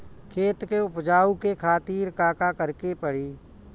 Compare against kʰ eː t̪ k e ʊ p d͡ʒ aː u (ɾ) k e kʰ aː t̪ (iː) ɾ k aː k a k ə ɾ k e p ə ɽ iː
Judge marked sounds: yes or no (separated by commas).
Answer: no, yes